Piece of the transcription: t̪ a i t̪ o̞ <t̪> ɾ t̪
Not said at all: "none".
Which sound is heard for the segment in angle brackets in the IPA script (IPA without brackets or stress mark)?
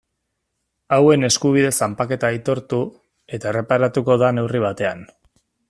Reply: none